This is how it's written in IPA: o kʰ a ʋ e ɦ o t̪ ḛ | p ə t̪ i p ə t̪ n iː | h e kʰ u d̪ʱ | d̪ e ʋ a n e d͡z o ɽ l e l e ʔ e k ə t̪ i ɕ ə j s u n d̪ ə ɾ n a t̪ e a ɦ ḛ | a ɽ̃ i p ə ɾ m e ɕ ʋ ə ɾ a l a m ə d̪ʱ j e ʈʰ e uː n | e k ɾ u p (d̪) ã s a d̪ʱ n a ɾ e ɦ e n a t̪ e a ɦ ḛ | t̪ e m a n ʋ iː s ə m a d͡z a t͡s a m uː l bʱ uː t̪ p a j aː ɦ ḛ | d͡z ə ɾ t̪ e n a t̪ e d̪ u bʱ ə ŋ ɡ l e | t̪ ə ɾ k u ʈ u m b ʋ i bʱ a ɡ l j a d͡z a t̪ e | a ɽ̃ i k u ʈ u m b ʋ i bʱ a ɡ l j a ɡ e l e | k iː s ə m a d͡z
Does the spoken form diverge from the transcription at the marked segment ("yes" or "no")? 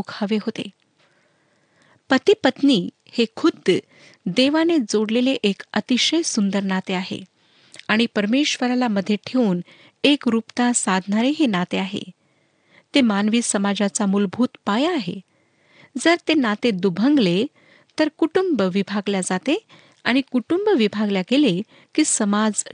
yes